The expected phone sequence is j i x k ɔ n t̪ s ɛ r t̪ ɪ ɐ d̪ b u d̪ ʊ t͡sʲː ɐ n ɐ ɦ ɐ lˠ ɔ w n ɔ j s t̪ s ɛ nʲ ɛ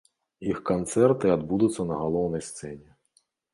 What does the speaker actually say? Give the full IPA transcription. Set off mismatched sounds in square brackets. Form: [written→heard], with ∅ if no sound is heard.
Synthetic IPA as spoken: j i x k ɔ n t̪ s ɛ r t̪ ɪ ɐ d̪ b u d̪ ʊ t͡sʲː ɐ n ɐ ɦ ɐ lˠ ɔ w n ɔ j s t̪ s ɛ nʲ [ɛ→i]